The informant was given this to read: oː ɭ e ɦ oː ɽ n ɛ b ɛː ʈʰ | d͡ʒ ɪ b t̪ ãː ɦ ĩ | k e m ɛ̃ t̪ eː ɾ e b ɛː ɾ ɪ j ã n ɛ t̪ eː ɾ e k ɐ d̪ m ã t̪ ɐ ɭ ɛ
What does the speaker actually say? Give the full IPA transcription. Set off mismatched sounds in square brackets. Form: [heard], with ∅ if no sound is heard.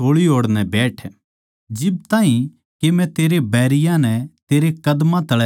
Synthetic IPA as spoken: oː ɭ [i] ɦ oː ɽ n ɛ b ɛː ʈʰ | d͡ʒ ɪ b t̪ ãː ɦ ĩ | k e m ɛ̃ t̪ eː ɾ e b ɛː ɾ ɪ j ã n ɛ t̪ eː ɾ e k ɐ d̪ m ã t̪ ɐ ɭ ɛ